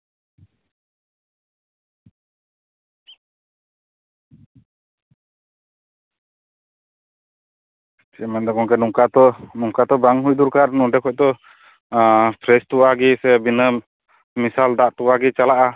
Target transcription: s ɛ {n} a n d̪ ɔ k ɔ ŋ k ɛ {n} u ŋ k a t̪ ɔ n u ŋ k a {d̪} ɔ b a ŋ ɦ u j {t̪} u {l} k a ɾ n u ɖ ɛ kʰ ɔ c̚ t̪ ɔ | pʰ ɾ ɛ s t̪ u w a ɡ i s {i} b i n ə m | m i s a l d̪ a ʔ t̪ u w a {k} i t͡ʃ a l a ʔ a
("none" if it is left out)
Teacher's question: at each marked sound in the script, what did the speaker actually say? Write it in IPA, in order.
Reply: m, n, t̪, d̪, ɾ, ɛ, ɡ

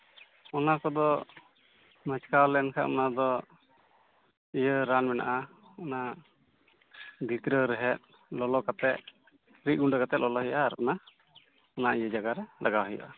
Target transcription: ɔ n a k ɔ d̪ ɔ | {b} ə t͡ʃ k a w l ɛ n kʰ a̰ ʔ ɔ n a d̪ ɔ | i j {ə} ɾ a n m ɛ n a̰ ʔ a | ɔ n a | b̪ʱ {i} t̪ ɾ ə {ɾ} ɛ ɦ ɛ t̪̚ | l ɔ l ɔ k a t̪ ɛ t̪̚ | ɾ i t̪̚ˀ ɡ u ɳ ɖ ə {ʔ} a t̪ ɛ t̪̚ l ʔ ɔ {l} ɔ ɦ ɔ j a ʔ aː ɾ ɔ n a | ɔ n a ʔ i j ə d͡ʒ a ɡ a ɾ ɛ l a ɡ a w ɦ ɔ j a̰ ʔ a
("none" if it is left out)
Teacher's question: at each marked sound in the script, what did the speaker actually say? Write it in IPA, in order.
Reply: m, ə, i, ɾ, k, l

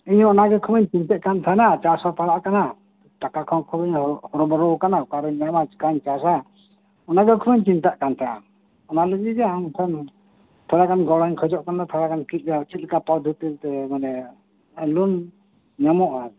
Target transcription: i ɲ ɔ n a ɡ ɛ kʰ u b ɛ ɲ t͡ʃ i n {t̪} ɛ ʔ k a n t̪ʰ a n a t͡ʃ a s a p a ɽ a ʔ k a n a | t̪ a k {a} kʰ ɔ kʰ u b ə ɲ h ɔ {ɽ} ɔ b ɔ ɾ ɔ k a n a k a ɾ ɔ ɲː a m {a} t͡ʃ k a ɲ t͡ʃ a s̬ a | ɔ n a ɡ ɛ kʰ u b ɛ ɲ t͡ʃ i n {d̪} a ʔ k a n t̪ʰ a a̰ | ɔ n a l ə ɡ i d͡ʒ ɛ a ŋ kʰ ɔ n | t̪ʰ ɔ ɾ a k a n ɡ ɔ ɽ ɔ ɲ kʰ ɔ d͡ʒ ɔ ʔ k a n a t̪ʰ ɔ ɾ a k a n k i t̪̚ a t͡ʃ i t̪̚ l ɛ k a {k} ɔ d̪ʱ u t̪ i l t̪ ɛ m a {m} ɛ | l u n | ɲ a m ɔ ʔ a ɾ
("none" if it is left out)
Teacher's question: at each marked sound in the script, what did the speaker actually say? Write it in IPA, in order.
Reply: t̪, a, ɾ, a, t̪, p, n

